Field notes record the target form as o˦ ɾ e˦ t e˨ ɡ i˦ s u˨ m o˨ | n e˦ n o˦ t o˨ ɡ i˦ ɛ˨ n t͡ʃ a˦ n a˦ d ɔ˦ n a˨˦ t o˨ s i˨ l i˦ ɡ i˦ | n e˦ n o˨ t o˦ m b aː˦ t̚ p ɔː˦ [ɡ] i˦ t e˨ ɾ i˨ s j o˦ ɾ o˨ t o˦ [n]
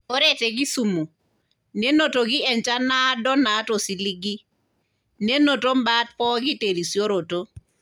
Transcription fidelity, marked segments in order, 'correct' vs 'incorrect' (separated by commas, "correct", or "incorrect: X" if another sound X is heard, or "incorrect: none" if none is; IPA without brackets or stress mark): correct, incorrect: none